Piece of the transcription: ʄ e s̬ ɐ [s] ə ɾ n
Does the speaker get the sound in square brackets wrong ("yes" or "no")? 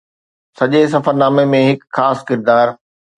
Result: yes